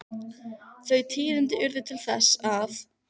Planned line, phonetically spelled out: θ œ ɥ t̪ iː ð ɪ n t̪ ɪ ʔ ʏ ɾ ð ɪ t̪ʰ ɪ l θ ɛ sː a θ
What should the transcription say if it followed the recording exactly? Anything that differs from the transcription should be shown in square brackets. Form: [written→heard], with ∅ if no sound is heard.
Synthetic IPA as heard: θ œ ɥ [t̪→t̪ʰ] iː ð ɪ n t̪ ɪ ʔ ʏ ɾ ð ɪ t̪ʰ ɪ l θ ɛ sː a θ